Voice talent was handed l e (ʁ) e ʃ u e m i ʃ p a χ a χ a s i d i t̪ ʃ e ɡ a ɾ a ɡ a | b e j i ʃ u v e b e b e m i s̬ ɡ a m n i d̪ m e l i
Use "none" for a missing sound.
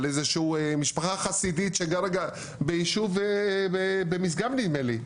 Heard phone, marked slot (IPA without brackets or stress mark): z